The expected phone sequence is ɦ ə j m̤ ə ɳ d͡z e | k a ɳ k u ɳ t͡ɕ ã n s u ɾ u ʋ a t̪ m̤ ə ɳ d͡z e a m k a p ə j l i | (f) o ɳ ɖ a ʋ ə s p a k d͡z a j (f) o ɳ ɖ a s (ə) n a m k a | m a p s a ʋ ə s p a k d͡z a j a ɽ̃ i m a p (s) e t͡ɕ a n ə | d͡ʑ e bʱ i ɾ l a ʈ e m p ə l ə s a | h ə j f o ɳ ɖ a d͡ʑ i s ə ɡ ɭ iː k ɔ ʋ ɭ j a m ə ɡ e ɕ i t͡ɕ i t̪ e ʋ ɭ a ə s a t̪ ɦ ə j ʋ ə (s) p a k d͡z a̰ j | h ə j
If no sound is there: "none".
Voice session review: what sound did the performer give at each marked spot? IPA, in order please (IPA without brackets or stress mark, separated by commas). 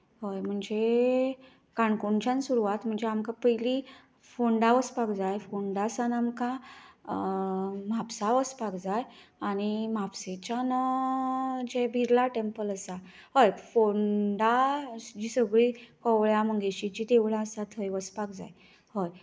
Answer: f, f, a, s, s